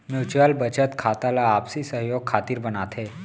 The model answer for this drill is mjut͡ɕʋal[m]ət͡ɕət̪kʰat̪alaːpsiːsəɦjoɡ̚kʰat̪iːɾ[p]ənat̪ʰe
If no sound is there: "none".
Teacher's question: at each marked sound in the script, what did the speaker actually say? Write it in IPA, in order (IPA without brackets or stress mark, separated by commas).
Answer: b, b